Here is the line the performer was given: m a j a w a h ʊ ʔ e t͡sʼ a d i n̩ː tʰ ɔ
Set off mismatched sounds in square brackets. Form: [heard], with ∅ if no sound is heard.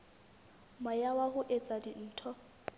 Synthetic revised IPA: m a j a w a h ʊ ʔ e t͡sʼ a d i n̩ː tʰ ɔ